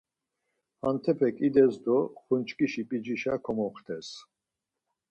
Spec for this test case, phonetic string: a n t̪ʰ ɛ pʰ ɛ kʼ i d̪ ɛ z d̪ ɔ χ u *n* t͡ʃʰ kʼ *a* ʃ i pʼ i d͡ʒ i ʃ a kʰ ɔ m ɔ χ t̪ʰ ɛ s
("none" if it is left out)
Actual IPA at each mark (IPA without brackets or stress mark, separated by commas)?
n, i